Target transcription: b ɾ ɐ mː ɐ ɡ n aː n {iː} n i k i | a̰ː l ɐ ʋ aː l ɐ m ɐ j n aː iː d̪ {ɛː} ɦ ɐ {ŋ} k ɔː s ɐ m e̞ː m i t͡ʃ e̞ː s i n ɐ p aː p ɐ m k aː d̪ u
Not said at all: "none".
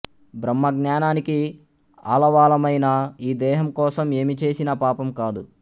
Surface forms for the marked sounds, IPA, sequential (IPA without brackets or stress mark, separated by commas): aː, ɛː, m